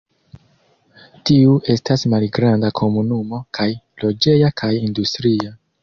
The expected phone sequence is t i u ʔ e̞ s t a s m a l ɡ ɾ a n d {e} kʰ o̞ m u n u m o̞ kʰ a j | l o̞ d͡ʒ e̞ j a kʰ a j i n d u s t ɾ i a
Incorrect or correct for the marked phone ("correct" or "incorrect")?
incorrect